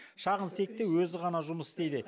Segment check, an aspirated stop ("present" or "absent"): absent